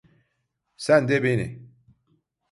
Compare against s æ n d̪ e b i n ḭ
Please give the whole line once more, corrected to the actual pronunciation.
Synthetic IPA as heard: s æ n d̪ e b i n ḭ